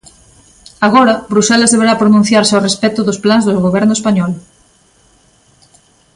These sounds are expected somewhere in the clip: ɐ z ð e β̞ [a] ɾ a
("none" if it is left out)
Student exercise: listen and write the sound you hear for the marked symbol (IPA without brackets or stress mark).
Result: e